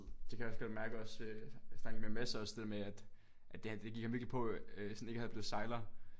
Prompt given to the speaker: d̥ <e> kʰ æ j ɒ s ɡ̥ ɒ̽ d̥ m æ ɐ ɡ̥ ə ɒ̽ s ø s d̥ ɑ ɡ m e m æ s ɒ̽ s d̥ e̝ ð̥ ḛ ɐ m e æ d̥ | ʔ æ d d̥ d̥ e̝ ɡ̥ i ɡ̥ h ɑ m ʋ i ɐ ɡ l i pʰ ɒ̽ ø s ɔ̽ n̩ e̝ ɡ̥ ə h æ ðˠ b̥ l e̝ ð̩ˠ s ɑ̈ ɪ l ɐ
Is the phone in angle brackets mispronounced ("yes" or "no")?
no